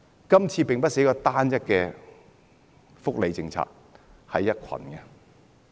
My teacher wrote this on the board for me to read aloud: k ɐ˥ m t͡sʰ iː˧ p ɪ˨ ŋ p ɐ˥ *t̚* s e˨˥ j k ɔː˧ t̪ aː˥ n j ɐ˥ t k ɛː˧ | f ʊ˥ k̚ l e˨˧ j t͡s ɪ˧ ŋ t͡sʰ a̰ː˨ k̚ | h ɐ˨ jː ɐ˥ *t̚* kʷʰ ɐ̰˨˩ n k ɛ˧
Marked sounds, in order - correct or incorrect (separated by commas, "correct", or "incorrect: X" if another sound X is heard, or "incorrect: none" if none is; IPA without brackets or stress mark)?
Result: correct, correct